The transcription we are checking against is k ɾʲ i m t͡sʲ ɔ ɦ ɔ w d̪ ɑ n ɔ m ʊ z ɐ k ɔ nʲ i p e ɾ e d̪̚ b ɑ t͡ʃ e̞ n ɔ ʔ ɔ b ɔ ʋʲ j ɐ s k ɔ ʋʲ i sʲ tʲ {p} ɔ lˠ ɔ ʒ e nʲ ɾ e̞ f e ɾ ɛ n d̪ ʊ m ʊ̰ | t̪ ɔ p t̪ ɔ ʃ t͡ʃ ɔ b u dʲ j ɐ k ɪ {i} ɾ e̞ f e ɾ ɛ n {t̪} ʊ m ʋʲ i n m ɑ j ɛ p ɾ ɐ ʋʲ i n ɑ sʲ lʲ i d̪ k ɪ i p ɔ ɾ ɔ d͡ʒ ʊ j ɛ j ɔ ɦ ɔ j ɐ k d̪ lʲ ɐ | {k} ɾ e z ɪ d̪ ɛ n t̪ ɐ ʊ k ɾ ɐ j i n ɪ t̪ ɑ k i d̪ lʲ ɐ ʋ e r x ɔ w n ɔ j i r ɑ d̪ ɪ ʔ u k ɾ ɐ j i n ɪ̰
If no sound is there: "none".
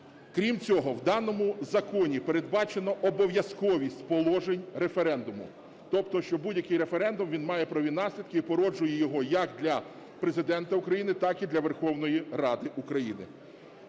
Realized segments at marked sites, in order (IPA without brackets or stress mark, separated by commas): p, j, d̪, p